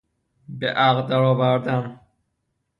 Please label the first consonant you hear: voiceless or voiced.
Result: voiced